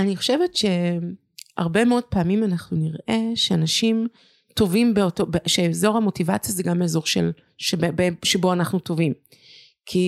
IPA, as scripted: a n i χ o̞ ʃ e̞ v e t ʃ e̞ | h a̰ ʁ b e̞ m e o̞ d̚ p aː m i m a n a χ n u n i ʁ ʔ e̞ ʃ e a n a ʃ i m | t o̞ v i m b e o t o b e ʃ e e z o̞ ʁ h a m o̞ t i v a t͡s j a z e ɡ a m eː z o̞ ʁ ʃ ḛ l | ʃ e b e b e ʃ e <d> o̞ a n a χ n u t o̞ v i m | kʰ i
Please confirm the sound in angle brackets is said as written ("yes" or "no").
no